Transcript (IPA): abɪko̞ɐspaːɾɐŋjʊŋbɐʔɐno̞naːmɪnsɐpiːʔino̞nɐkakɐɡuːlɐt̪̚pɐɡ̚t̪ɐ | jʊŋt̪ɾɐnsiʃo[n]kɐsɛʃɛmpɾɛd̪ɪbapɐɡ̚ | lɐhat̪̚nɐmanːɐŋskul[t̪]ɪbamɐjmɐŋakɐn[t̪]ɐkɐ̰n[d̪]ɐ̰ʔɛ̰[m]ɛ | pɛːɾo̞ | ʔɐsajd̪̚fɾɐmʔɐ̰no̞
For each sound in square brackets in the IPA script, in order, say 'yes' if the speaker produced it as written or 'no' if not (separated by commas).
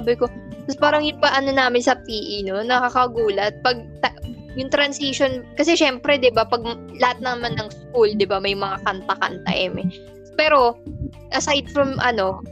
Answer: yes, no, yes, no, yes